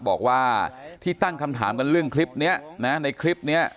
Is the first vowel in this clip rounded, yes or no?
yes